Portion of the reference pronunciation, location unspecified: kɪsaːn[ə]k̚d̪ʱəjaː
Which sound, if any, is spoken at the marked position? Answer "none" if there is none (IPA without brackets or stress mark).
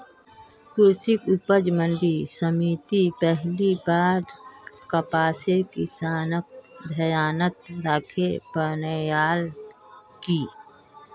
ə